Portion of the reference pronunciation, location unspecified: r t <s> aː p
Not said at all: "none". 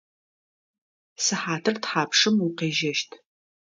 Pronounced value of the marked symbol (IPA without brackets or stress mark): ħ